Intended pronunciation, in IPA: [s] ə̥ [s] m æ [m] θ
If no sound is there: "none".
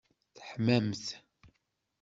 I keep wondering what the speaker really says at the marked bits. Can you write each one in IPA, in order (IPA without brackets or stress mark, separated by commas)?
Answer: θ, ħ, m